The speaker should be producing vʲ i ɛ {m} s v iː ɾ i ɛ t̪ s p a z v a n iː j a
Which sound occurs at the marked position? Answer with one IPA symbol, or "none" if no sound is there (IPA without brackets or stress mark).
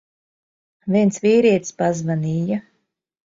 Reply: n